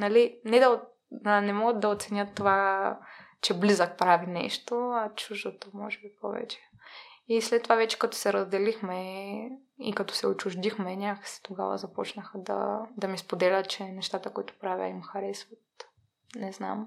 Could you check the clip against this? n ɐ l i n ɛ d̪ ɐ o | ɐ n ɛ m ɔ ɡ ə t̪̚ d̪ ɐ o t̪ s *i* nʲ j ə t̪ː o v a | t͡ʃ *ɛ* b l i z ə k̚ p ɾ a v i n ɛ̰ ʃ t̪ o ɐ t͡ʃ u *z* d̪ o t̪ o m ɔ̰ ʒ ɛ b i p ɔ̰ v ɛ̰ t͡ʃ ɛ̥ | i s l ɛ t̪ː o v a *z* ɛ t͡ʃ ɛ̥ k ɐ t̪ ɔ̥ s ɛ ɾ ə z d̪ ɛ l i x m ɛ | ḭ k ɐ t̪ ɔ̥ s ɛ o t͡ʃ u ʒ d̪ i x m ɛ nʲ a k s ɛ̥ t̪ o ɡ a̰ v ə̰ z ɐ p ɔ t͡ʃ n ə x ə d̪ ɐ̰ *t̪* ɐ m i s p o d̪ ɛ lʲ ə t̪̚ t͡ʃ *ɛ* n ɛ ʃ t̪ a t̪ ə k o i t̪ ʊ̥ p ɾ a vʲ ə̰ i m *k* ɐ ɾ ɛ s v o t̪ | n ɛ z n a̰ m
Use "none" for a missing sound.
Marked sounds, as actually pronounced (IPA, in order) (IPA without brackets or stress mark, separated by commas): ɛ, ɛ, ʒ, v, d̪, ɛ, x